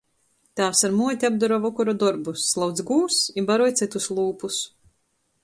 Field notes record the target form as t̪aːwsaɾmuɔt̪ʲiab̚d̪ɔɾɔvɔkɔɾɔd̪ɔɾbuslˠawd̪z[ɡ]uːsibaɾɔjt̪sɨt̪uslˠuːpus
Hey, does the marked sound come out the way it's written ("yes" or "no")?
yes